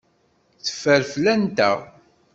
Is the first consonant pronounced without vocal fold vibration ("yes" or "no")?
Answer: yes